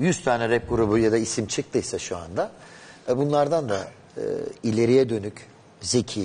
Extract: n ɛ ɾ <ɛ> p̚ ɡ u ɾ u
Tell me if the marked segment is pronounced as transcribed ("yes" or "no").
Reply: yes